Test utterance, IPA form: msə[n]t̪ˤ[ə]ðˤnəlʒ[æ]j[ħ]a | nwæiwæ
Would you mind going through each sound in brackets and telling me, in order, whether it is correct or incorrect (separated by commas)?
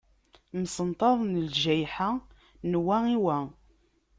correct, incorrect, correct, correct